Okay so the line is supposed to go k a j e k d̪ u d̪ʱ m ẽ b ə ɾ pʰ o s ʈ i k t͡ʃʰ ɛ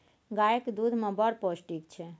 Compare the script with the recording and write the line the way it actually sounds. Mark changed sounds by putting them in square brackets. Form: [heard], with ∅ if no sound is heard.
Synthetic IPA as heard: [ɡ] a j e k d̪ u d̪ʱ m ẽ b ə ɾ [p] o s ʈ i k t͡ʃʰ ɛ